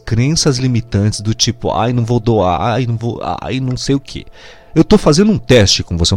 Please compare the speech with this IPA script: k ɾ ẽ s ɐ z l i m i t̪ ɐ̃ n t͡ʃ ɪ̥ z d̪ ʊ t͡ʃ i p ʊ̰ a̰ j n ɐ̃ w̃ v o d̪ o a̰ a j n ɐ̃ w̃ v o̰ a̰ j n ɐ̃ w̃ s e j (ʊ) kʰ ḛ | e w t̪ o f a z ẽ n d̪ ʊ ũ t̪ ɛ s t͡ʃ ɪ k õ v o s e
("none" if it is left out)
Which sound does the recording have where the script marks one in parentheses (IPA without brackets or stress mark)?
ʊ